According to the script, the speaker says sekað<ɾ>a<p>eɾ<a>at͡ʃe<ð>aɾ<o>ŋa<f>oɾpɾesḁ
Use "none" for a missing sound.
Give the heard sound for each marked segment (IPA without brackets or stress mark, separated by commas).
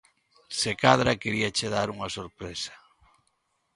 ɾ, k, i, ð, u, s